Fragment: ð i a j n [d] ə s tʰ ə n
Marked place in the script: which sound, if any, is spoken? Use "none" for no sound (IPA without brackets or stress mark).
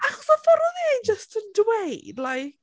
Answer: d͡ʒ